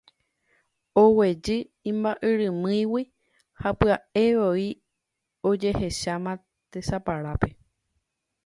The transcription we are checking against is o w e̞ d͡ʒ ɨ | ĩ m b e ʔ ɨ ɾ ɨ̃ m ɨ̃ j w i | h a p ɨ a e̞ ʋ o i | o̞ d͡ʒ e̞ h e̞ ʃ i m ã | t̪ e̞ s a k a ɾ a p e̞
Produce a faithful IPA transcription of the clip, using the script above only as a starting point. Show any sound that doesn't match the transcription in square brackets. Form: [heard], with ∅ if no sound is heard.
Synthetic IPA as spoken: o w e̞ d͡ʒ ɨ | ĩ m b [a] ʔ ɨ ɾ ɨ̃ m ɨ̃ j w i | h a p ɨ a e̞ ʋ o i | o̞ d͡ʒ e̞ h e̞ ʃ [a] m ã | t̪ e̞ s a [p] a ɾ a p e̞